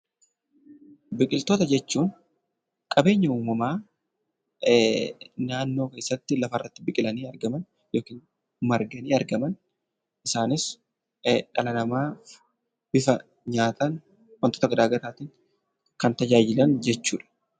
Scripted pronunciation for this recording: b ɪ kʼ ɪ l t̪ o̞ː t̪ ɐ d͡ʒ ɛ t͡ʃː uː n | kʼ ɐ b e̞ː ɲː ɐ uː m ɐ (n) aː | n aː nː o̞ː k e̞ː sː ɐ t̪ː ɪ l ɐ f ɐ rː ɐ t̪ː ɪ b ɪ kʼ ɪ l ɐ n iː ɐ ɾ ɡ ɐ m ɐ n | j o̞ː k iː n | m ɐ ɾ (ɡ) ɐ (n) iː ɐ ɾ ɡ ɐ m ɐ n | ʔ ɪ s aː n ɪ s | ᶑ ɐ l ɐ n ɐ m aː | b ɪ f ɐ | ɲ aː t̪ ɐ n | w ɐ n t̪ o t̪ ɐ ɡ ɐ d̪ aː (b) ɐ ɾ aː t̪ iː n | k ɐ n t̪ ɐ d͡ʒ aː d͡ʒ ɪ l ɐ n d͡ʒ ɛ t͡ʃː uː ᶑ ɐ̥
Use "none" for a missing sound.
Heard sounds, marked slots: m, ɡ, n, ɡ

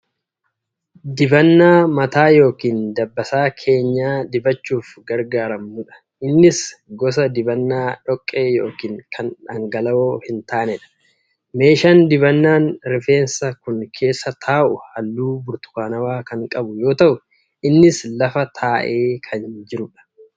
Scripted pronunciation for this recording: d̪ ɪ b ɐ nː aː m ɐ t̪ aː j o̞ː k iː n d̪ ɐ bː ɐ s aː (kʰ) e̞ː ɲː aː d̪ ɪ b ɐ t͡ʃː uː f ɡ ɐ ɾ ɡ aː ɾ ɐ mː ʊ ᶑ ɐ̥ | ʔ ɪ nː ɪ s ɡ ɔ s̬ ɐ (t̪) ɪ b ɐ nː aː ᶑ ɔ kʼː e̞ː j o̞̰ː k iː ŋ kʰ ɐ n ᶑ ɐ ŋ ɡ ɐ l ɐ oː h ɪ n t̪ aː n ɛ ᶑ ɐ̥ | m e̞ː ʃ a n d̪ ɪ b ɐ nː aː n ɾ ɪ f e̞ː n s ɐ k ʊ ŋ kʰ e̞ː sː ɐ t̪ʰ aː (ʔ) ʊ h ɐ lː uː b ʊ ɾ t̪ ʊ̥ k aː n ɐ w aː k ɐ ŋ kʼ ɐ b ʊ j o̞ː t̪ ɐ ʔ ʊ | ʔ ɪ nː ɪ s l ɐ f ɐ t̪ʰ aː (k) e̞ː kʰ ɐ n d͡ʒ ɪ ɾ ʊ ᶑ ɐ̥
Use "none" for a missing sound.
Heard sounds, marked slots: kʰ, d̪, ʔ, ʔ

